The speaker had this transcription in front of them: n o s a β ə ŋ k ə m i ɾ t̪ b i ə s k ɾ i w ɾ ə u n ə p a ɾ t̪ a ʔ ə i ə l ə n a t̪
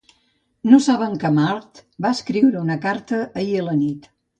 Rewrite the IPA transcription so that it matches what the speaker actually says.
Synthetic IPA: n o s a β ə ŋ k ə m a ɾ t̪ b a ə s k ɾ i w ɾ ə u n ə k a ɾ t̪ ə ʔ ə i ə l ə n i t̪